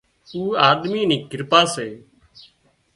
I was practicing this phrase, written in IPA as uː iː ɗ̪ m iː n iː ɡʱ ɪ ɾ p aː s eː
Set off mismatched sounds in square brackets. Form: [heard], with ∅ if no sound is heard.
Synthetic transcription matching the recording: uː [aː] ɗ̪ m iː n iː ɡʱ ɪ ɾ p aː s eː